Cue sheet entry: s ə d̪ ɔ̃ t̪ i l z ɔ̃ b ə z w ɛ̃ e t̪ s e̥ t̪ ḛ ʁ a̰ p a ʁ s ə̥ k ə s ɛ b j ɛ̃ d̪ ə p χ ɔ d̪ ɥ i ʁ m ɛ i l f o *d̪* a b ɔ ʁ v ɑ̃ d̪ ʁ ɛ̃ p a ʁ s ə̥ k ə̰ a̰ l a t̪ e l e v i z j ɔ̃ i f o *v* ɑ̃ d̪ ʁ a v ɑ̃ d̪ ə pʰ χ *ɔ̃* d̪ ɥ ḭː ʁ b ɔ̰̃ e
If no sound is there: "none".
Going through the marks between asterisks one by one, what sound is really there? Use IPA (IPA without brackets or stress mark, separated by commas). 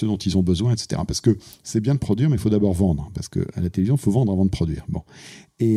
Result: d̪, v, ɔ